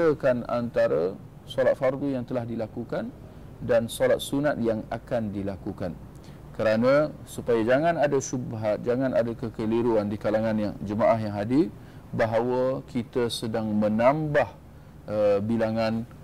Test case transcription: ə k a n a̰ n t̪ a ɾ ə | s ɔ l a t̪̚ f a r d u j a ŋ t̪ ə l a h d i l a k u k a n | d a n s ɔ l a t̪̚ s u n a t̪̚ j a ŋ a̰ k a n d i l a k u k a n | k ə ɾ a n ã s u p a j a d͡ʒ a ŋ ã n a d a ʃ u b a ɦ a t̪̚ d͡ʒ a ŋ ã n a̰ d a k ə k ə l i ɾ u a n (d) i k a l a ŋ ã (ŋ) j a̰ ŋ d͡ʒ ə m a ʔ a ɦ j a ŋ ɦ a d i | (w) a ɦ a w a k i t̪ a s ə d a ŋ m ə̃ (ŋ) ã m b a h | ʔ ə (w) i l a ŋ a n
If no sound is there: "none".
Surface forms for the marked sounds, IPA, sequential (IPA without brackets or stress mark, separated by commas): d, n, b, n, b